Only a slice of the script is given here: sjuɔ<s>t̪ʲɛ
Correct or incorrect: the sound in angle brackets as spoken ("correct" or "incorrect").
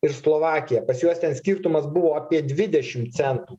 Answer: correct